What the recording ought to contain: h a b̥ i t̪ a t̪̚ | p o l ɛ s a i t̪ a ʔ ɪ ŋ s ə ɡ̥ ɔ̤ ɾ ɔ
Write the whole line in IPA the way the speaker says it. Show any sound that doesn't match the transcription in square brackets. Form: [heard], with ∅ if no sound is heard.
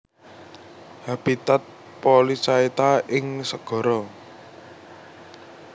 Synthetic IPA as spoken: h a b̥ i t̪ a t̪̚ | p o l [i] s a i t̪ a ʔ ɪ ŋ s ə ɡ̥ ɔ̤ ɾ ɔ